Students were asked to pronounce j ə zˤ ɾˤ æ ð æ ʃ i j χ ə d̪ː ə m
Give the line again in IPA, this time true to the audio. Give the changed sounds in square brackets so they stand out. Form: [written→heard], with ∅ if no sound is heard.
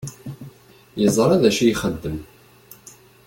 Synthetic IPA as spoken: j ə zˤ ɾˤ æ ð æ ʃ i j χ ə d̪ː ə m